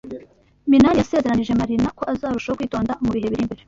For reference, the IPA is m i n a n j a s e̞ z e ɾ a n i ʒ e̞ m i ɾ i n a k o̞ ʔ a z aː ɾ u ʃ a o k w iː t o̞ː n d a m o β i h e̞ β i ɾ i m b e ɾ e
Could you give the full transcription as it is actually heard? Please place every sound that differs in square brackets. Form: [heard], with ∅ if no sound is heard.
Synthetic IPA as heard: m i n a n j a s e̞ z e ɾ a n i ʒ e̞ m [a] ɾ i n a k o̞ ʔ a z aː ɾ u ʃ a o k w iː t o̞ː n d a m [u] β i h e̞ β i ɾ i m b e ɾ e